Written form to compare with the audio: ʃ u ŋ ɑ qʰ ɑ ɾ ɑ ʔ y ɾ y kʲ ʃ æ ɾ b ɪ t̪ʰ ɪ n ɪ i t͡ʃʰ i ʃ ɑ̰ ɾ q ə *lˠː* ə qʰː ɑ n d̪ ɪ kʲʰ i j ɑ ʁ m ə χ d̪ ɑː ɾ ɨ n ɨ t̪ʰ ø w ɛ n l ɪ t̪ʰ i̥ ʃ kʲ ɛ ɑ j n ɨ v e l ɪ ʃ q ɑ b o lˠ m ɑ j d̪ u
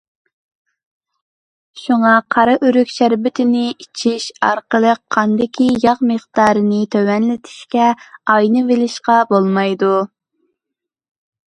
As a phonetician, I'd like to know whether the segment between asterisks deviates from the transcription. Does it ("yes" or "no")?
yes